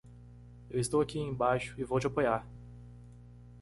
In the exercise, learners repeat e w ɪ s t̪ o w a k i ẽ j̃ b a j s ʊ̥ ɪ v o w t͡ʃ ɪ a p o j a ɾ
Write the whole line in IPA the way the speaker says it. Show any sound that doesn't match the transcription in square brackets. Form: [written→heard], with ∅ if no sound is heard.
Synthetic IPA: e w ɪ s t̪ o w a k i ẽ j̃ b a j [s→ʃ] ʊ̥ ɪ v o w t͡ʃ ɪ a p o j a ɾ